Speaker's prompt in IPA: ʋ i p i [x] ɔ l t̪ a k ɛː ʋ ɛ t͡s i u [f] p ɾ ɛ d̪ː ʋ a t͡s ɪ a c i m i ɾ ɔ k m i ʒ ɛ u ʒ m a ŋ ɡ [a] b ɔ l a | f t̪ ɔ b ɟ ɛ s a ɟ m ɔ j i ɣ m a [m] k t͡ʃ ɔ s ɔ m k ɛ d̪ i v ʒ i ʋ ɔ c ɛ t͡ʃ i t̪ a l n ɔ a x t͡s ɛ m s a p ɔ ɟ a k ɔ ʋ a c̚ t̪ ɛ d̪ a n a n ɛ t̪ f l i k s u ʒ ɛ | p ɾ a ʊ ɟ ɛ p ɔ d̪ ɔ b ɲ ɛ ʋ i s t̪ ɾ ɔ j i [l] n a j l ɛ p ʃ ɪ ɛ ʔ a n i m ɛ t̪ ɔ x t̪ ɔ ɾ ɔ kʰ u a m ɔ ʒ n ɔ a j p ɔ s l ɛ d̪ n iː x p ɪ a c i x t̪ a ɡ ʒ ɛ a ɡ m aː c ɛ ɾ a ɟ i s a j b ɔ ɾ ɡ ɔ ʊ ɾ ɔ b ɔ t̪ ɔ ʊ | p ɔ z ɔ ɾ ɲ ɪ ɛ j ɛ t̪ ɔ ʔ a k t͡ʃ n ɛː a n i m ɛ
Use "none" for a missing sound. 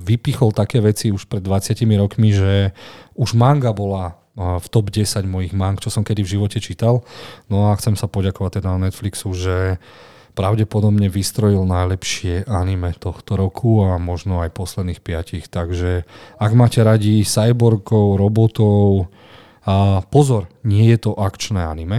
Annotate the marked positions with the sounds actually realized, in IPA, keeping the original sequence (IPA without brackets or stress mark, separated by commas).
x, ʃ, a, ŋ, l